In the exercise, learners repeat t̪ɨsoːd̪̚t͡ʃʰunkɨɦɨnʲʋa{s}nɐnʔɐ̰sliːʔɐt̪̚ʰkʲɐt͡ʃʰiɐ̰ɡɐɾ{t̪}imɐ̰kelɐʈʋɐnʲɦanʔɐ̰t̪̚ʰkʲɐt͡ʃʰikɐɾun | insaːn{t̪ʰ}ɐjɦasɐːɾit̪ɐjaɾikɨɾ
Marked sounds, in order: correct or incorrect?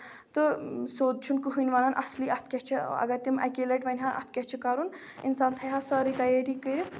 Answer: incorrect: none, correct, correct

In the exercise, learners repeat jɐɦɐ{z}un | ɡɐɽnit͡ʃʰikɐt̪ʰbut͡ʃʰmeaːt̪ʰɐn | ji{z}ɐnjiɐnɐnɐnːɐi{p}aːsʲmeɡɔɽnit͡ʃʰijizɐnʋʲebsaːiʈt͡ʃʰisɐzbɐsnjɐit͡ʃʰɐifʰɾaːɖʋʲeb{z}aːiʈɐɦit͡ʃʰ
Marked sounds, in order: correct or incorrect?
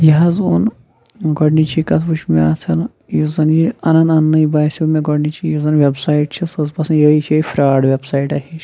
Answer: correct, correct, incorrect: b, incorrect: s

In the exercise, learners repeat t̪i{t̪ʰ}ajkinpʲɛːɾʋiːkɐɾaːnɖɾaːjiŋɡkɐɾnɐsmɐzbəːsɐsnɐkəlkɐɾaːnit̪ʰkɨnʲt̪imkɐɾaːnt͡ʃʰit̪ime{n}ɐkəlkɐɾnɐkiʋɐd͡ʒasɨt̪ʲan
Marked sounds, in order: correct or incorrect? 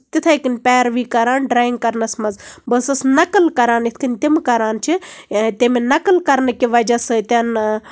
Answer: correct, correct

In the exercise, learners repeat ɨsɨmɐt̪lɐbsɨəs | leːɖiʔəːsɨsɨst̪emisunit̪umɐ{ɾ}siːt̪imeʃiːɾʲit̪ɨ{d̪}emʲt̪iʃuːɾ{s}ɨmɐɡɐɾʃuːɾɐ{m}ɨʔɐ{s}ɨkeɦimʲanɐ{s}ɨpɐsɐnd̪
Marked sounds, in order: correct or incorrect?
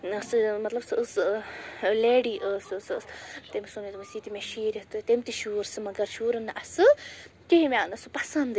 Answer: incorrect: none, incorrect: t̪, correct, incorrect: n, correct, correct

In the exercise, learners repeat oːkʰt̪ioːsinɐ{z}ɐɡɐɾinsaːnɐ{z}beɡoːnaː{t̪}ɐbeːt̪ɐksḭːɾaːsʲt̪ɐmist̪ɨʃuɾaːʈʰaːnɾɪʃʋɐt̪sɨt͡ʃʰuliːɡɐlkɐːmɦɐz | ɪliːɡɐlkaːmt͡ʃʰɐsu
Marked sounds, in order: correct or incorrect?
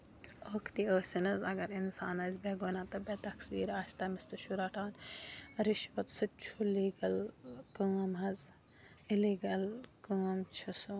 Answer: correct, correct, correct

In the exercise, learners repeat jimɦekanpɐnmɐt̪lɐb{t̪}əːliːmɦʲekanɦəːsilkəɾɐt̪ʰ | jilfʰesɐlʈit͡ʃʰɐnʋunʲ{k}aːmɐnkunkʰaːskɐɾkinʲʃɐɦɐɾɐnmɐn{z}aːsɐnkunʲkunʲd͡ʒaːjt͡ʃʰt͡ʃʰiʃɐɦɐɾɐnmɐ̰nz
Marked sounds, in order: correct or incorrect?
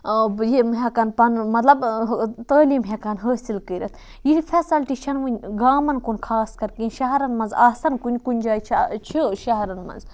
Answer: correct, incorrect: ɡ, correct

